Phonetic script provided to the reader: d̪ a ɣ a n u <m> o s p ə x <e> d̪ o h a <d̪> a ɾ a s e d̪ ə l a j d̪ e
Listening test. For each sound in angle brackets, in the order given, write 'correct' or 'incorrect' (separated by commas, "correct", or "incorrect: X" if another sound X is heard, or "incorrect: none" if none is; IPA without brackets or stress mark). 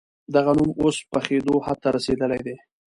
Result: correct, correct, incorrect: t̪